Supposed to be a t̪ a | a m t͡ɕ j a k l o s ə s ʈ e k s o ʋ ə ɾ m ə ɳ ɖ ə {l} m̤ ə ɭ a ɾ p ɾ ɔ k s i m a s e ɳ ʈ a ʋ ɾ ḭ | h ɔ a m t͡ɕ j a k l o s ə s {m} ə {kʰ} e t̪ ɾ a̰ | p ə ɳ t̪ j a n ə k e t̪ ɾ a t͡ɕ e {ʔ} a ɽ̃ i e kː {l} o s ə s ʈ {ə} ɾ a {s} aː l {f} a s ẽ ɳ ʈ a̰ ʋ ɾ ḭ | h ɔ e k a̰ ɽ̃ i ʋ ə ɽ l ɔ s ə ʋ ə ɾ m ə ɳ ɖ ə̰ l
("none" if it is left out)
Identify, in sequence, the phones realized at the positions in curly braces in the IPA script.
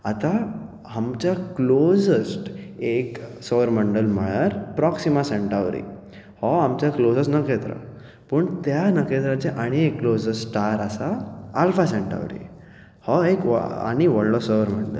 l, n, k, ʔ, l, a, s, f

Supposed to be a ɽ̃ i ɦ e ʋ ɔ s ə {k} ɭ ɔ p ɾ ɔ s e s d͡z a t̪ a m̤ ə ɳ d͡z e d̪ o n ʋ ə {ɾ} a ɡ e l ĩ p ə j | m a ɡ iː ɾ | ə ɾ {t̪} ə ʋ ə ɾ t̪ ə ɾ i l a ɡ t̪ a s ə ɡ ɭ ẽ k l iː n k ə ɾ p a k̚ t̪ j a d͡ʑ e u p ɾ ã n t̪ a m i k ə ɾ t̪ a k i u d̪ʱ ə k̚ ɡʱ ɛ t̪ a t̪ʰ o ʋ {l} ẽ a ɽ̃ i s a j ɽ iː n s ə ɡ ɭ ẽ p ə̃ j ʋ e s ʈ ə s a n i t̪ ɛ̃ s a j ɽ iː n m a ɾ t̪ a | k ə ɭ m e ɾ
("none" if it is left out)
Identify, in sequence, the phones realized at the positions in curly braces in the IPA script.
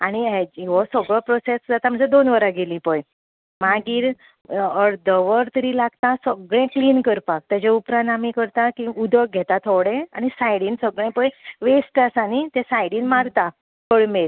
ɡ, ɾ, d̪, ɽ

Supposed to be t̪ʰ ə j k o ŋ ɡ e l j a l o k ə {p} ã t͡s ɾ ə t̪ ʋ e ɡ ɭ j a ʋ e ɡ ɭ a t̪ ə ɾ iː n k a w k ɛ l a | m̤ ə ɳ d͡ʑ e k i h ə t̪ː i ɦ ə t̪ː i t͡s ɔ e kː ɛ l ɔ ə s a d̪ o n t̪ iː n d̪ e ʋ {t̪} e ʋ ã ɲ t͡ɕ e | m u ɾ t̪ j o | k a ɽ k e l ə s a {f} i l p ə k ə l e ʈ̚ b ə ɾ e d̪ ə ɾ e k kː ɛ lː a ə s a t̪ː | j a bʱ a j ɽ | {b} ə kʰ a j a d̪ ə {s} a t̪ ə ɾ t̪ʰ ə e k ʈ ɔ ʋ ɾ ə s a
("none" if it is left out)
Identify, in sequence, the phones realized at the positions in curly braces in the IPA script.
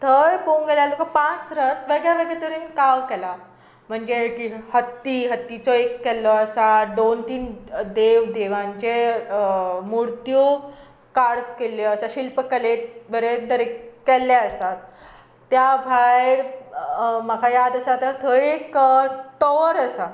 p, d̪, ɕ, m, s

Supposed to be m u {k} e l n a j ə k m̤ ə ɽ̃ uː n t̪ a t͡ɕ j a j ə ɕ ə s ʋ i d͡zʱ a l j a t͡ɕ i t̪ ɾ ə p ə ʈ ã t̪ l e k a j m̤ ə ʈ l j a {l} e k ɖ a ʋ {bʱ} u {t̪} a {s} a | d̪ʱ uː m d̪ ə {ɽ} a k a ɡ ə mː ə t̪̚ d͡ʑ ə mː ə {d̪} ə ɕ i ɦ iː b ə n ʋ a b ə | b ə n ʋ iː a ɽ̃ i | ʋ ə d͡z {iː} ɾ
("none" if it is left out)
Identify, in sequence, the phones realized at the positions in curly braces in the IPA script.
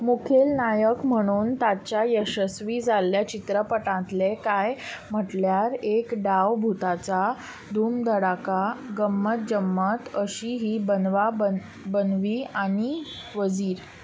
kʰ, ɾ, bʱ, t̪, t͡s, ɽ, t̪, iː

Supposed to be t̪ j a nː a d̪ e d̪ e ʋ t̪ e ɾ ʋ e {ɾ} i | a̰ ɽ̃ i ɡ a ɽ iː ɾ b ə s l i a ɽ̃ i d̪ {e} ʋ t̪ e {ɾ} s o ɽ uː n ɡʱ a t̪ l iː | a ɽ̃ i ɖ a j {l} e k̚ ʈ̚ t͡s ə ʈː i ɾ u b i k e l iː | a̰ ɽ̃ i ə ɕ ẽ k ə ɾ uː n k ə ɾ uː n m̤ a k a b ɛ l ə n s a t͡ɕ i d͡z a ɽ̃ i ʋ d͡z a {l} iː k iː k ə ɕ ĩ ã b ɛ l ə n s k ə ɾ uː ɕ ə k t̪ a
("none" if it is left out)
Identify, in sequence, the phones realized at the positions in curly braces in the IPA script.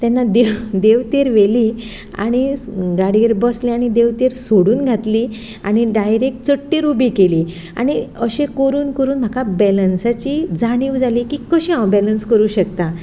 l, e, ɾ, ɾ, l

